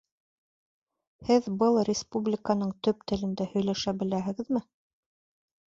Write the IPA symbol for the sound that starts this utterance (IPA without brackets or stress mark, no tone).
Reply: h